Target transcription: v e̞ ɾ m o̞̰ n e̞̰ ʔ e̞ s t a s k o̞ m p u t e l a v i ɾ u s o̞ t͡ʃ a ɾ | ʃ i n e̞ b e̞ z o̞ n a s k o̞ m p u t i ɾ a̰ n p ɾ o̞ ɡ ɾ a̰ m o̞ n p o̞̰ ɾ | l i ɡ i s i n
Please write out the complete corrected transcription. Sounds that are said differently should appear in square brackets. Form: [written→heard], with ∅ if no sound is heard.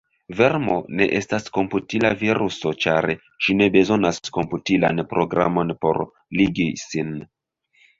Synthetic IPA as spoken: v e̞ ɾ m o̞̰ n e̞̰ ʔ e̞ s t a s k o̞ m p u t [e→i] l a v i ɾ u s o̞ t͡ʃ a ɾ | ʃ i n e̞ b e̞ z o̞ n a s k o̞ m p u t i [ɾ→l] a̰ n p ɾ o̞ ɡ ɾ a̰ m o̞ n p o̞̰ ɾ | l i ɡ i s i n